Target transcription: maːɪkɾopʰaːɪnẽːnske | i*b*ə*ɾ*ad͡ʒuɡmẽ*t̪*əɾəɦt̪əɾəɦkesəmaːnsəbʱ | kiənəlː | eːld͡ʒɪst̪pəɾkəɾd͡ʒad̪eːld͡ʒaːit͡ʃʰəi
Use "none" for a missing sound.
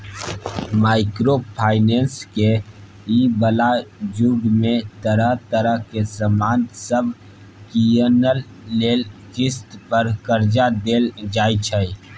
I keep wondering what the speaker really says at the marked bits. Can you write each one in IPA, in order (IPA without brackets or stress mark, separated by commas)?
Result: b, l, t̪